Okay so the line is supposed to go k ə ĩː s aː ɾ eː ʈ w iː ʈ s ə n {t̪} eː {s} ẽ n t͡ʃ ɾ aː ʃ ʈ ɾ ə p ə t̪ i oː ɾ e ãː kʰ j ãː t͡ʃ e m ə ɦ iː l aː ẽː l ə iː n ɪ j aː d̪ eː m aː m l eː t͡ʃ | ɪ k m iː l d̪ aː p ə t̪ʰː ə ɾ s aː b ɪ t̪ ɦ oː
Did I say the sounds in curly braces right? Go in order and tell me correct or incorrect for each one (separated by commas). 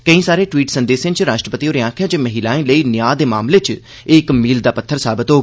incorrect, correct